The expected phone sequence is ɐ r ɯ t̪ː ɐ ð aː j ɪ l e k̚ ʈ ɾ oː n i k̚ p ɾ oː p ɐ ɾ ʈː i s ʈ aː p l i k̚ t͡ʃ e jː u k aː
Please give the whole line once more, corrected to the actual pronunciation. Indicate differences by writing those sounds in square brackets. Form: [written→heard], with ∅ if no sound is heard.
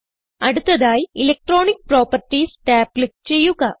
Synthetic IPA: ɐ [r→ɽ] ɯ t̪ː ɐ ð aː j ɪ l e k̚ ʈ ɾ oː n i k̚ p ɾ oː p ɐ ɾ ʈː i s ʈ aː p l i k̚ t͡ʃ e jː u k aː